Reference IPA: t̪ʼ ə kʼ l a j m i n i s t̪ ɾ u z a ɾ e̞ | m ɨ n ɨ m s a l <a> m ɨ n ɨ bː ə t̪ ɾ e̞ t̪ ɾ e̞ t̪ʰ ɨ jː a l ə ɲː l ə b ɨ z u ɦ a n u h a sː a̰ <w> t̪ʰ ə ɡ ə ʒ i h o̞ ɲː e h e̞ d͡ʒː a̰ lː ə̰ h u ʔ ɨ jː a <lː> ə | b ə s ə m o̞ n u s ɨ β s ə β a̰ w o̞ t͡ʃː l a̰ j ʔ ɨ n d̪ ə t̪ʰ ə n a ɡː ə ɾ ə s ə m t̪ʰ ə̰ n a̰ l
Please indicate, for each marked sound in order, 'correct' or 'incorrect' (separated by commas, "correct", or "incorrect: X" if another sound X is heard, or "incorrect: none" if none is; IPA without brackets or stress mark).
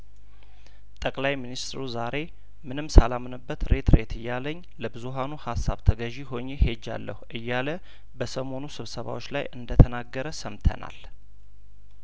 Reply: correct, incorrect: β, incorrect: l